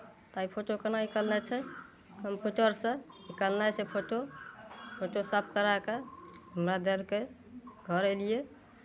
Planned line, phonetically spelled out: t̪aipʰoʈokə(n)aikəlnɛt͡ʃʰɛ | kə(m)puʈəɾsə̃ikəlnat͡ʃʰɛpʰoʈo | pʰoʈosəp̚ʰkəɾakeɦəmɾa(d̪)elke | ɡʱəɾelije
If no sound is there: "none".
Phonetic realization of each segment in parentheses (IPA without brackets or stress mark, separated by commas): n, m, d̪